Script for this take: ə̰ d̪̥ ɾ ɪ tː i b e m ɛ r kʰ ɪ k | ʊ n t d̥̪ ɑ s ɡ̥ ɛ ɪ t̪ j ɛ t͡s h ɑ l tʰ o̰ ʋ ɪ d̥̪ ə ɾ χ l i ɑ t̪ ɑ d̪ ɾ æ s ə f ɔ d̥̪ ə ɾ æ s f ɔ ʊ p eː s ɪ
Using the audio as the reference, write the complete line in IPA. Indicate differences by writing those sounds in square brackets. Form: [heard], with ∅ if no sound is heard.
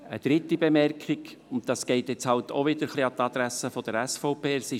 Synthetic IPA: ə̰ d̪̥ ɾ ɪ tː i b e m ɛ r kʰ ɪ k | ʊ n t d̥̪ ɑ s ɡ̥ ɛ ɪ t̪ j ɛ t͡s h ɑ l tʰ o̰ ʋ ɪ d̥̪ ə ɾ χ l i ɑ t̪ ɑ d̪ ɾ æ s ə f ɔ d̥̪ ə ɾ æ s f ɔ ʊ p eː s ɪ